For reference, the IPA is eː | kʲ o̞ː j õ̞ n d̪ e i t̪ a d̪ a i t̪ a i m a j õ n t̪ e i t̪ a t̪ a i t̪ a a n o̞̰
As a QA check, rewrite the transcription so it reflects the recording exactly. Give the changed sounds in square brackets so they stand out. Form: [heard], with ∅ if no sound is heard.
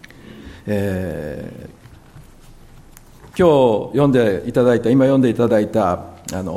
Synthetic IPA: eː | kʲ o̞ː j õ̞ n d̪ e i t̪ a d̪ a i t̪ a i m a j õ n [d̪] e i t̪ a [d̪] a i t̪ a a n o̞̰